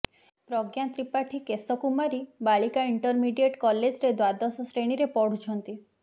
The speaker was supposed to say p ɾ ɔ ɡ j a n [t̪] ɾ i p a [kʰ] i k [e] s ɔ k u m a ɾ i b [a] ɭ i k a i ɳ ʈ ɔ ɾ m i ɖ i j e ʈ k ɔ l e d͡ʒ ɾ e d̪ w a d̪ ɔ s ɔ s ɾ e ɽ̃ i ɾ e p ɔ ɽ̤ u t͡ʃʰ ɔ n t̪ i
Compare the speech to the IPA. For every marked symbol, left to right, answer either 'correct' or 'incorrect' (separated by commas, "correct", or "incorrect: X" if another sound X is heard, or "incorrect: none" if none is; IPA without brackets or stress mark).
correct, incorrect: ʈʰ, correct, correct